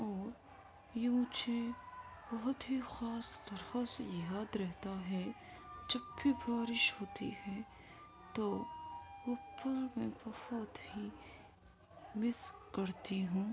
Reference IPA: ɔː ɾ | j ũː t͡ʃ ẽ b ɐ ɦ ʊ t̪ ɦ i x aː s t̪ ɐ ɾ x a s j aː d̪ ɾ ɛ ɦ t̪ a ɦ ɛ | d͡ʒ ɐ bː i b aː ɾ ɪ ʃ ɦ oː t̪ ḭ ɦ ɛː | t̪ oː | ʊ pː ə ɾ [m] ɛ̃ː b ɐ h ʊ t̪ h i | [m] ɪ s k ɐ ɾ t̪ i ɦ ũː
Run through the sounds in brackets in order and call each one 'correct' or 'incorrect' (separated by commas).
correct, correct